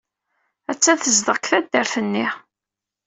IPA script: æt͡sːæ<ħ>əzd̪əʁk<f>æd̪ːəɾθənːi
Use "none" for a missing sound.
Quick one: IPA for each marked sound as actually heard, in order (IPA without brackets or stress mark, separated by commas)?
θ, θ